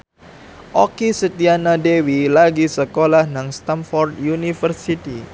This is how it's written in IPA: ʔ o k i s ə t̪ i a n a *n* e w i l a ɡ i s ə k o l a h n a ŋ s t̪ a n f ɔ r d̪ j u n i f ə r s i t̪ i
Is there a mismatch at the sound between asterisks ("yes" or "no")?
yes